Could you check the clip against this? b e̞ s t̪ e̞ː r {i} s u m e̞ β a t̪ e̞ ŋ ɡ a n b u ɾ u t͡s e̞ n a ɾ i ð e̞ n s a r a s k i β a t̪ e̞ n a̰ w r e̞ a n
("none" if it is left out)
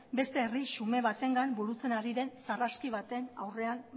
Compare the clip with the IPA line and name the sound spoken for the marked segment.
i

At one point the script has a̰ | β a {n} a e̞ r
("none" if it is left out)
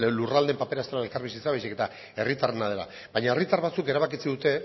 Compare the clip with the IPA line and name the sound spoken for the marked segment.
ɲ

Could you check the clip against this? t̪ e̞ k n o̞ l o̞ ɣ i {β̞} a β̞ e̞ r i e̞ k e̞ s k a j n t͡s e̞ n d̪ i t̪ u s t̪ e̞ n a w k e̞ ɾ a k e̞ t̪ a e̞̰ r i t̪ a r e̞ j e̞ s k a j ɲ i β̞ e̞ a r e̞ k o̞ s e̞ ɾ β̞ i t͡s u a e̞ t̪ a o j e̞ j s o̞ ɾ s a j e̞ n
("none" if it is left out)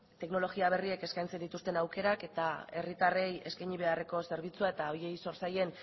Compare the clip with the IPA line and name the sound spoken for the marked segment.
none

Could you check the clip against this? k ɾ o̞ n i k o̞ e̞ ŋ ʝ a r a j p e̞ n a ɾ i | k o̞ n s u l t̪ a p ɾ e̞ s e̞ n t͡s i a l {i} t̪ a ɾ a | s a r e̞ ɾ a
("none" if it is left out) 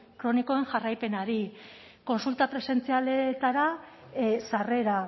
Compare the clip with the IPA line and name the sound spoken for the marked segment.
e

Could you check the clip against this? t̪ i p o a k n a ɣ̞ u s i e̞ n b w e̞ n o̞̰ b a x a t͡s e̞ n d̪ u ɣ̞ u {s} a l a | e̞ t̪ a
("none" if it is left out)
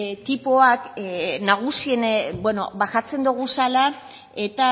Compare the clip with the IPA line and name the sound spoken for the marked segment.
s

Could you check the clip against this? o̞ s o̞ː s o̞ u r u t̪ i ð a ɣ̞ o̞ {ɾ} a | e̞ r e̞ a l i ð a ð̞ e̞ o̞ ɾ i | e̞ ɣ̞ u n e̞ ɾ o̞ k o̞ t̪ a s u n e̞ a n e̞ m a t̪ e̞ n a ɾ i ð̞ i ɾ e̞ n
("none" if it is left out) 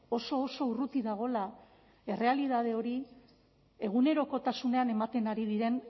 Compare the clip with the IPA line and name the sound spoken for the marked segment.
l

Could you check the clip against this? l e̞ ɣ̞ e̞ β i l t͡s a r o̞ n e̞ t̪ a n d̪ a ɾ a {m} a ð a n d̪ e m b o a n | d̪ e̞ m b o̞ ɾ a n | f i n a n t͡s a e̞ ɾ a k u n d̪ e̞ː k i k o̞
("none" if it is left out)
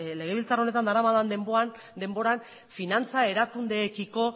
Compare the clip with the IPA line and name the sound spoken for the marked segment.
m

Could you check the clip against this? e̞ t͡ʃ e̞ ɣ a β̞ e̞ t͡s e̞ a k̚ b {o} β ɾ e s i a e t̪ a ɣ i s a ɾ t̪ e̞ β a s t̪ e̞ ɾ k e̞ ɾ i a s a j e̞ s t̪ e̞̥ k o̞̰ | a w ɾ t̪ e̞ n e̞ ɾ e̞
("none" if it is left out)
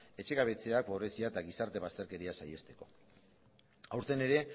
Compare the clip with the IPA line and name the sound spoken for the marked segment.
o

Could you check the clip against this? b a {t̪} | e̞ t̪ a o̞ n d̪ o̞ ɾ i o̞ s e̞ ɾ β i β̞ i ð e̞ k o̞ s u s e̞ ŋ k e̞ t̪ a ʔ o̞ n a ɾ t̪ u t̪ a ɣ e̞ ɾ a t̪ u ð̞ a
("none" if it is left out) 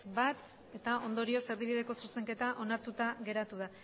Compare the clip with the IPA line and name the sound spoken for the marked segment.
t̪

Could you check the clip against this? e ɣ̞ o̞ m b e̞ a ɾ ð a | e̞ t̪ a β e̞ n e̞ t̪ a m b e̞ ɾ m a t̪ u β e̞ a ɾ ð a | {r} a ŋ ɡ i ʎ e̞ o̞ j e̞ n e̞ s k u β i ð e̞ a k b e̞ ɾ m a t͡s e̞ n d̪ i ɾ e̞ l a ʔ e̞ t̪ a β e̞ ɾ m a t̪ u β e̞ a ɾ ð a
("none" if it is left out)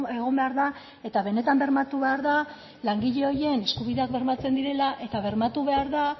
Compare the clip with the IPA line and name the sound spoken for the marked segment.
l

